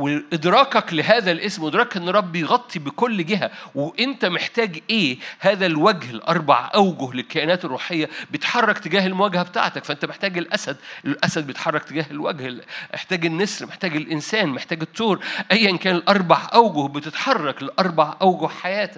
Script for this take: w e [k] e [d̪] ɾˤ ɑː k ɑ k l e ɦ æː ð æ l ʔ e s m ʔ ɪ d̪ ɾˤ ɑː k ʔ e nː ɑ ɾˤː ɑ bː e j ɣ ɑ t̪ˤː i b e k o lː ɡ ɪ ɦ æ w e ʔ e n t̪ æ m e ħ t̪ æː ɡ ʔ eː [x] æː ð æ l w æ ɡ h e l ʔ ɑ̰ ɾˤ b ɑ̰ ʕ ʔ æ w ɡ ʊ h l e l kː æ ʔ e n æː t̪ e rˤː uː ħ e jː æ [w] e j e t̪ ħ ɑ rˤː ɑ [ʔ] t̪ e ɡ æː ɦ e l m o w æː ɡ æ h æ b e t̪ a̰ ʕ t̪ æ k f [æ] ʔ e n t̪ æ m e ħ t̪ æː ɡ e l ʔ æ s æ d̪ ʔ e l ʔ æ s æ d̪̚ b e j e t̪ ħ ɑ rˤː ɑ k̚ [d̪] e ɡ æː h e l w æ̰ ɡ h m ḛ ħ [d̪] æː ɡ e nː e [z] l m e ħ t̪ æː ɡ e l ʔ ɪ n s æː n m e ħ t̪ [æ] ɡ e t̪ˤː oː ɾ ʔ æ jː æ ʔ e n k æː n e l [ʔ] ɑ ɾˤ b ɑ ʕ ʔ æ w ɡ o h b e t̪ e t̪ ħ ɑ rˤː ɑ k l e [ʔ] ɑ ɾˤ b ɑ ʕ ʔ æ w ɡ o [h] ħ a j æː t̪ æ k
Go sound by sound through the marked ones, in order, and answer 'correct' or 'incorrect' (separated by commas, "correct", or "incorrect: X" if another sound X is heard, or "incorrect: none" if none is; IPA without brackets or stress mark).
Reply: incorrect: ʔ, correct, incorrect: h, incorrect: b, incorrect: k, correct, incorrect: t̪, incorrect: t̪, incorrect: s, incorrect: æː, correct, correct, correct